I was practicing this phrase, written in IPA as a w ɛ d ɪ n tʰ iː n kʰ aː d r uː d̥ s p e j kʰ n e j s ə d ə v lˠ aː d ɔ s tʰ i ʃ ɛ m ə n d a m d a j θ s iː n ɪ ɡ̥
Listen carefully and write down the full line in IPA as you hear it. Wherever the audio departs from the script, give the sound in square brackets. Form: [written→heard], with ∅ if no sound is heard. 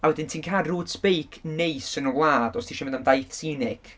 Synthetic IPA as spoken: a w ɛ d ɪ n tʰ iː n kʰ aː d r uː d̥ s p e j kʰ n e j s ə [d→n] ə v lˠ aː d ɔ s tʰ i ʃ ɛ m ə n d a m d a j θ s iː n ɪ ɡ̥